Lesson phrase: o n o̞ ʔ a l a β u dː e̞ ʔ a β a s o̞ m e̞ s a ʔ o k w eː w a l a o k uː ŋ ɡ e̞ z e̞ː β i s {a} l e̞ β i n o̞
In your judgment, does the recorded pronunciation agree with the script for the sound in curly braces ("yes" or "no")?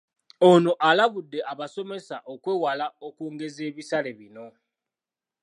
yes